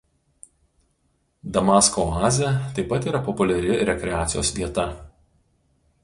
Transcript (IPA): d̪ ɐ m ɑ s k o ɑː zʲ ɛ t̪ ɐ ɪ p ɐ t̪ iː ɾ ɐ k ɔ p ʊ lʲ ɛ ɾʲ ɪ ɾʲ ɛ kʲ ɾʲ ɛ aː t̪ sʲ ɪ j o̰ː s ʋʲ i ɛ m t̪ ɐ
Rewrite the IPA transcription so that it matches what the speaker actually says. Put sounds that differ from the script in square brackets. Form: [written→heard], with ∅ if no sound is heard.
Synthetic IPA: d̪ ɐ m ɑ s k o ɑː zʲ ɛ t̪ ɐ ɪ p ɐ t̪ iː ɾ ɐ [k→p] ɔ p ʊ lʲ ɛ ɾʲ ɪ ɾʲ ɛ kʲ ɾʲ ɛ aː t̪ sʲ ɪ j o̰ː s ʋʲ i ɛ [m→∅] t̪ ɐ

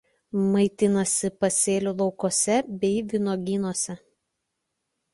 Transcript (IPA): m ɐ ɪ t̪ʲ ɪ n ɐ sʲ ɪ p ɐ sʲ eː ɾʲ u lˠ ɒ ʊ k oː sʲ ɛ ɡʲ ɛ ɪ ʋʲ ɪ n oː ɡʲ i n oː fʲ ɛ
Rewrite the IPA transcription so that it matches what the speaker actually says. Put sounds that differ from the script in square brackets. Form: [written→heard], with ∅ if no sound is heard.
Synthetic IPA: m ɐ ɪ t̪ʲ ɪ n ɐ sʲ ɪ p ɐ sʲ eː [ɾʲ→lʲ] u lˠ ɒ ʊ k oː sʲ ɛ [ɡʲ→bʲ] ɛ ɪ ʋʲ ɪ n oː ɡʲ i n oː [fʲ→sʲ] ɛ

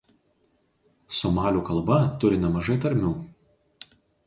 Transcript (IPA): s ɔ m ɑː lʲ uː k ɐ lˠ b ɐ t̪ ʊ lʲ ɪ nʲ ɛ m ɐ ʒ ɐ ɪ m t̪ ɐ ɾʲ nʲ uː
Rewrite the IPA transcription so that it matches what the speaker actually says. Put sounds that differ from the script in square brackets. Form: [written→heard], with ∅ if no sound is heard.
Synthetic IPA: s ɔ m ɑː lʲ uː k ɐ lˠ b ɐ t̪ ʊ [lʲ→ɾʲ] ɪ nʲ ɛ m ɐ ʒ ɐ ɪ [m→∅] t̪ ɐ ɾʲ [nʲ→mʲ] uː

